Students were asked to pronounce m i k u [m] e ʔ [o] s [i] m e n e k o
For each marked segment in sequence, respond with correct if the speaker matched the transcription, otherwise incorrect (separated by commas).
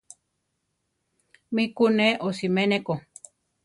incorrect, correct, correct